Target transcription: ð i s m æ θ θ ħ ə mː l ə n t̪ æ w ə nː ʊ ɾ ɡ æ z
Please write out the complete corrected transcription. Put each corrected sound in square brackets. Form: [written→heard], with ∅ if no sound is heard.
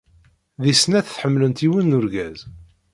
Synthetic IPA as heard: ð i s [m→n] æ θ θ ħ ə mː l ə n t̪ [æ→i] w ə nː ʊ ɾ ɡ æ z